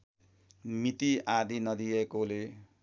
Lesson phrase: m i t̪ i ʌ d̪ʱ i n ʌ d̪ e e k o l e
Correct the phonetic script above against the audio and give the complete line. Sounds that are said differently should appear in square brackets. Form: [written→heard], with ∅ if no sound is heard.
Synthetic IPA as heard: m i t̪ i [ʌ→a] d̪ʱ i n ʌ d̪ [e→i] e k o l e